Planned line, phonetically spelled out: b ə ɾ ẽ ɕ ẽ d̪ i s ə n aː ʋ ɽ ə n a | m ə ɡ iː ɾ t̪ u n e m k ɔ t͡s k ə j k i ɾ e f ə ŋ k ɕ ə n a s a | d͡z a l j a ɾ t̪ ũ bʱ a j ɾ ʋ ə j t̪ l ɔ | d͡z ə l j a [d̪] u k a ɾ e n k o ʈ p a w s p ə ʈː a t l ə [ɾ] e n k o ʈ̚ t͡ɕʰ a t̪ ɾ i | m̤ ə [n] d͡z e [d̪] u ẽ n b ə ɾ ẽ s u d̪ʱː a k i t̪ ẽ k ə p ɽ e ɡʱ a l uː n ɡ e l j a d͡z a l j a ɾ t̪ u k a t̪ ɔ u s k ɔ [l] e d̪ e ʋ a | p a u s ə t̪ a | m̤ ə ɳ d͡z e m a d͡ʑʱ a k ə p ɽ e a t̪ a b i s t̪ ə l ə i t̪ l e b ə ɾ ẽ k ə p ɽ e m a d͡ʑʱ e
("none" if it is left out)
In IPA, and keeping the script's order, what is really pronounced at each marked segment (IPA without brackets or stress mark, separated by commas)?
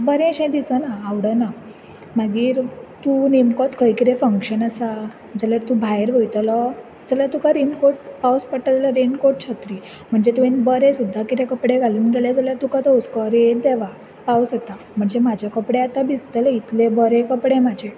t̪, ɾ, ɳ, t̪, ɾ